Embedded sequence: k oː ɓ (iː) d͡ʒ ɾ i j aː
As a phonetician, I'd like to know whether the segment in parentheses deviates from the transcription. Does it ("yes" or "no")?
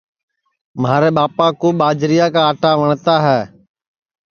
yes